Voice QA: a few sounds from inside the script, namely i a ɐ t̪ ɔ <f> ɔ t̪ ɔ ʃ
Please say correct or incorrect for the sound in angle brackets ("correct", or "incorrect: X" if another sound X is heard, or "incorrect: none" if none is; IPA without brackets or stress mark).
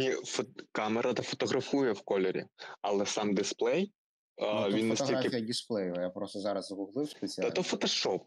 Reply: correct